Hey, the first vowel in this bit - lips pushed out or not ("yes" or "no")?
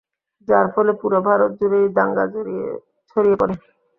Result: no